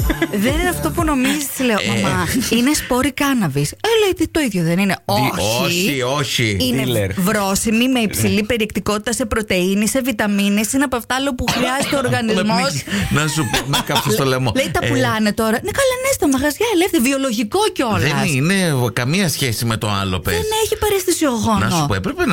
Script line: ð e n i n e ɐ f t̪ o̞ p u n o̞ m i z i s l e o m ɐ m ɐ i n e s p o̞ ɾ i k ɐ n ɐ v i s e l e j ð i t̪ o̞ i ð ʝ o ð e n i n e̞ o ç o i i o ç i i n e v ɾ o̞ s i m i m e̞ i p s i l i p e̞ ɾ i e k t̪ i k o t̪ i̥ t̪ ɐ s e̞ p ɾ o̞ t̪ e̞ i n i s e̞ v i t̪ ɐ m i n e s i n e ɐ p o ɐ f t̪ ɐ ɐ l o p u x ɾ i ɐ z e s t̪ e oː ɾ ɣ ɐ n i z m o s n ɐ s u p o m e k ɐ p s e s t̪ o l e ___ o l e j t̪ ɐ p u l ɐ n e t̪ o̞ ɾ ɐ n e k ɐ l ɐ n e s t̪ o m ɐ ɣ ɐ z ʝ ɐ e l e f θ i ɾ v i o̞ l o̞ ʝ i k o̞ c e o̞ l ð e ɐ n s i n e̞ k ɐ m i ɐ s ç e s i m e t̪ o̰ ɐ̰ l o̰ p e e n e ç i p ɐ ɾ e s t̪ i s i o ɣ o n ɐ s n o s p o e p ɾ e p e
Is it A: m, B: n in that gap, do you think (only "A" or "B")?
A